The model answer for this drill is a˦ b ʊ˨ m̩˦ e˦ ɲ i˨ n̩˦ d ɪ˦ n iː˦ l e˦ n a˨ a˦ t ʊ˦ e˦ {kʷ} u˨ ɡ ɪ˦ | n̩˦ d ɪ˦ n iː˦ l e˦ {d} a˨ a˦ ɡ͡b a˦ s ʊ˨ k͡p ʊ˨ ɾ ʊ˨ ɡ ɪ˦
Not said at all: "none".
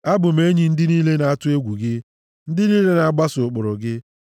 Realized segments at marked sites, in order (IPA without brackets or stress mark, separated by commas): ɡʷ, n